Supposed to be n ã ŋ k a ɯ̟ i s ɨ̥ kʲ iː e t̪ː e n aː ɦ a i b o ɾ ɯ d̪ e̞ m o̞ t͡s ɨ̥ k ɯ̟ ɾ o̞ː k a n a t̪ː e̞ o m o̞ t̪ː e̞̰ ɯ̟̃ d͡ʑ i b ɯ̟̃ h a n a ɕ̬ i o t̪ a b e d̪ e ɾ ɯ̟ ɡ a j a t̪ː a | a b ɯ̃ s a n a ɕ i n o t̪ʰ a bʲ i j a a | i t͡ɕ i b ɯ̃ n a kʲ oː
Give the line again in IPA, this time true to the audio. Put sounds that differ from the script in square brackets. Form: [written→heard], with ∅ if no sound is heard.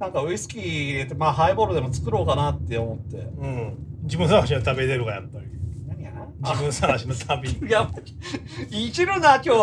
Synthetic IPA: n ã ŋ k a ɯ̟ i s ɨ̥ kʲ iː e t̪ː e [n→m] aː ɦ a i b o ɾ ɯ d̪ e̞ m o̞ t͡s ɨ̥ k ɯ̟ ɾ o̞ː k a n a t̪ː e̞ o m o̞ t̪ː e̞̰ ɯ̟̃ d͡ʑ i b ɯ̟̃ [h→s] a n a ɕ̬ i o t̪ a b e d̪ e ɾ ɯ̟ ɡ a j a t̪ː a | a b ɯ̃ s a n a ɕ i n o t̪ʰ a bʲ i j a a | i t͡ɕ i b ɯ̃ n a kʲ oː